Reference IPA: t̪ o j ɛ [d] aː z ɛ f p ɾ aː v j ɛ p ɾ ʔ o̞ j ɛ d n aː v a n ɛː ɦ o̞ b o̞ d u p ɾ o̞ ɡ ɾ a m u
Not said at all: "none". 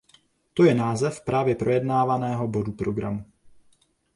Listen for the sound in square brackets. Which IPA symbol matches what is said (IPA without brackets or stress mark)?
n